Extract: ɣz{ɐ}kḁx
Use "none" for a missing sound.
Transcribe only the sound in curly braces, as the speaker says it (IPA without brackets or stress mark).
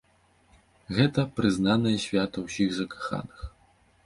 ɐ